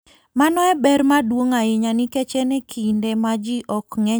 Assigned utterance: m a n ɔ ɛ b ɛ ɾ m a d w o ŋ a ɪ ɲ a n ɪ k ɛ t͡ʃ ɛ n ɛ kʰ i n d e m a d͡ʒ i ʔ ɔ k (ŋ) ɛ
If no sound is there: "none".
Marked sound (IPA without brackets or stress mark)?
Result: ŋ